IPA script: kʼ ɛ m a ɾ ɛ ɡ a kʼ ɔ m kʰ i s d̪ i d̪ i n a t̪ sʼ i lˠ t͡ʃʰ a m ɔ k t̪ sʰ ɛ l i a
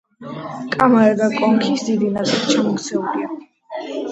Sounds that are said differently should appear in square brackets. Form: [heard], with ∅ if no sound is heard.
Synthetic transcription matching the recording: kʼ [a] m a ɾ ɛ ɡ a kʼ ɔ [ŋ] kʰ i s d̪ i d̪ i n a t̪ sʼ i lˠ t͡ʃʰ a m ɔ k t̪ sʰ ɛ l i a